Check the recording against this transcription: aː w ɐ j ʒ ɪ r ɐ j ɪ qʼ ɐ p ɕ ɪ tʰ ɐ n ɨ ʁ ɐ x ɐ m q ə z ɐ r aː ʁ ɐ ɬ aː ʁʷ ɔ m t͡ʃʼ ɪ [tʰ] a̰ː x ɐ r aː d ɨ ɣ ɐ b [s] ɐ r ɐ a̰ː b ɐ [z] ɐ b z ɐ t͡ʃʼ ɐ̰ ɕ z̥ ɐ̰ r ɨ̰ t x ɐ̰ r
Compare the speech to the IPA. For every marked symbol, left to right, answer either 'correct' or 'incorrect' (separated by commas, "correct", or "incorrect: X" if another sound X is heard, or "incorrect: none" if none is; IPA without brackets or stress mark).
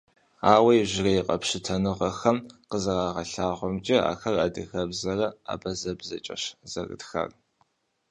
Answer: incorrect: none, incorrect: z, correct